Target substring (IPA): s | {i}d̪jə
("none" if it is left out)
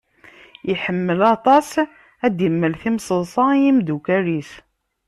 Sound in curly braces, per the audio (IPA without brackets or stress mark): æ